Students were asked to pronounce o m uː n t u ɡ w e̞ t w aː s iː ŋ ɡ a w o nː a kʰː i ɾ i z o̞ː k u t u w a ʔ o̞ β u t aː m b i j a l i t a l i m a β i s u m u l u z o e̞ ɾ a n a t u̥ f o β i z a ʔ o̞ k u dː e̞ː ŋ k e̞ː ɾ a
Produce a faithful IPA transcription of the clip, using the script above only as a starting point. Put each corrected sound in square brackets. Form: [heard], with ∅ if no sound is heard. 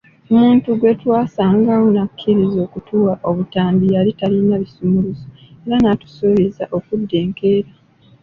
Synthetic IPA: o m uː n t u ɡ w e̞ t w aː s [aː] ŋ ɡ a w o [n] a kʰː i ɾ i z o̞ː k u t u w a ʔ o̞ β u t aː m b i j a l i t a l i [n] a β i s u m u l u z o e̞ ɾ a n a t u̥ [s] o β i z a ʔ o̞ k u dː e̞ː ŋ k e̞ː ɾ a

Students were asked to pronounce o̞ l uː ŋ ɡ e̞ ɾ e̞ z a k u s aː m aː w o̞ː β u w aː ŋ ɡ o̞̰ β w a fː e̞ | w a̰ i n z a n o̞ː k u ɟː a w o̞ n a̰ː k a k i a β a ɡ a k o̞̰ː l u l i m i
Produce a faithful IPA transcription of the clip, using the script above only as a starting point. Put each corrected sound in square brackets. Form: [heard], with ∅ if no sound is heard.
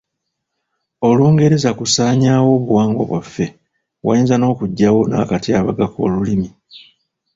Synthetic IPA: o̞ l uː ŋ ɡ e̞ ɾ e̞ z a k u s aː [ɲ] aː w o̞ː β u w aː ŋ ɡ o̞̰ β w a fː e̞ | w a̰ i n z a n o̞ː k u ɟː a w o̞ n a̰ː k a [t] i a β a ɡ a k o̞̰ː l u l i m i

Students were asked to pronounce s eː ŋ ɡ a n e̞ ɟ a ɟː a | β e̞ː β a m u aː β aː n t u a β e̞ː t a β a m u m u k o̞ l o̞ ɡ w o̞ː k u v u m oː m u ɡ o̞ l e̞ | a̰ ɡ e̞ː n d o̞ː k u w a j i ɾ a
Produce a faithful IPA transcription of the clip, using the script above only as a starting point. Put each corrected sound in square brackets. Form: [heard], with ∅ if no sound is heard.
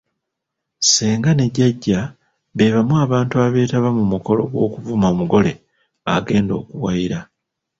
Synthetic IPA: s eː ŋ ɡ a n e̞ ɟ a ɟː a | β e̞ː β a m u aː β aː n t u a β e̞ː t a β a m u m u k o̞ l o̞ ɡ w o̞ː k u v u m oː m u ɡ o̞ l e̞ | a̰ ɡ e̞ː n d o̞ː k u w a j i ɾ a

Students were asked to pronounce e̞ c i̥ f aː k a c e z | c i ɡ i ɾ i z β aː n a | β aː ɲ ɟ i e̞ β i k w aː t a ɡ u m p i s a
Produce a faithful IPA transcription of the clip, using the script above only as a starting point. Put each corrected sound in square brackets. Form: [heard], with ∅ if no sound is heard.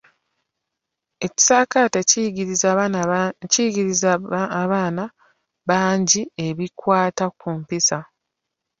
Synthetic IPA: e̞ c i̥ [s] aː k a [t] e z | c i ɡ i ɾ i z β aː n a | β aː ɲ ɟ i e̞ β i k w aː t a [k] u m p i s a

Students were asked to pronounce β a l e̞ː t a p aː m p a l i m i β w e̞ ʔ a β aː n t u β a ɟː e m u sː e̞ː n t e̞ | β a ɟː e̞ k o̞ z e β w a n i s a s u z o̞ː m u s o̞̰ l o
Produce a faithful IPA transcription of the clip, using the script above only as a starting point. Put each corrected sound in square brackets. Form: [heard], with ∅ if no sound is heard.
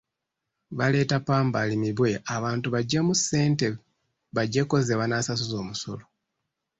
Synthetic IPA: β a l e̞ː t a p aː m [b] a l i m i β w e̞ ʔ a β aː n t u β a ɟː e m u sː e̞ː n t e̞ | β a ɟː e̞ k o̞ z e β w a n [a] s a s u z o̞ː m u s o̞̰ l o

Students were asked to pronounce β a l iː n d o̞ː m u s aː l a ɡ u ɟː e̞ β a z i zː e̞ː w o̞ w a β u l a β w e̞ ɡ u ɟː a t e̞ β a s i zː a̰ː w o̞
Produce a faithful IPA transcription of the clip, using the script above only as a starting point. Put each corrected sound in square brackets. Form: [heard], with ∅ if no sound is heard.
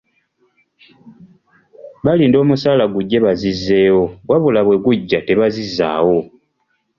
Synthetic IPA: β a l iː n d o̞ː m u s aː l a ɡ u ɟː e̞ β a z i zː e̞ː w o̞ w a β u l a β w e̞ ɡ u ɟː a t e̞ β a [z] i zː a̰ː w o̞

